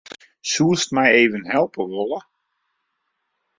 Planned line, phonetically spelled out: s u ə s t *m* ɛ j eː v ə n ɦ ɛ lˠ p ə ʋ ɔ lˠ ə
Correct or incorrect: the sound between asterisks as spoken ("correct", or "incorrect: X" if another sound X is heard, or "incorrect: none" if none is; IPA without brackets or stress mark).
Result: correct